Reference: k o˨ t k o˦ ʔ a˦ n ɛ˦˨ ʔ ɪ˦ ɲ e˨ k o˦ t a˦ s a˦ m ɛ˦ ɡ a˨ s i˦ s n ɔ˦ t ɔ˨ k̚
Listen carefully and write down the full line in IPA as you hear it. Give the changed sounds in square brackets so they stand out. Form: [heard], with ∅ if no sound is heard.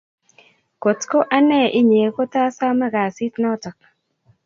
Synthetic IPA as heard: k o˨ t k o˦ ʔ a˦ n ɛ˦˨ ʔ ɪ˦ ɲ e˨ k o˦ t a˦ s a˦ m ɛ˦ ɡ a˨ s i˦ [t] n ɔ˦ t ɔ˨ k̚